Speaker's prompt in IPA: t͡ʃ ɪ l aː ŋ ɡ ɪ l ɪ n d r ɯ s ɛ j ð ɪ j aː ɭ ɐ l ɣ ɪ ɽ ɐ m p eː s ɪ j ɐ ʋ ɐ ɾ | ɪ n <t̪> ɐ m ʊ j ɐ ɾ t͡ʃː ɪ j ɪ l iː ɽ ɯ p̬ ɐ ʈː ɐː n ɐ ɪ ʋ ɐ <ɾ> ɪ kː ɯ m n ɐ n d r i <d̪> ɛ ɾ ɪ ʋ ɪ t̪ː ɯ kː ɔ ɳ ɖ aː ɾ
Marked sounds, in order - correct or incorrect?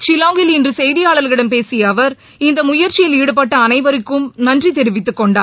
incorrect, correct, incorrect

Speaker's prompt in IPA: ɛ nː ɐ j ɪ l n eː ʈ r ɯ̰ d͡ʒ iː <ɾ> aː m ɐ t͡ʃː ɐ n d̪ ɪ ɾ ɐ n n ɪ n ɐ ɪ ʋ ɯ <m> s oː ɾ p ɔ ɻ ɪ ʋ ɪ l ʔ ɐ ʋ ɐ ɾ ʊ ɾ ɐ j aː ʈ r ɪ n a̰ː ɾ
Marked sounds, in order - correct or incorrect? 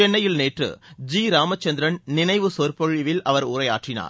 correct, incorrect

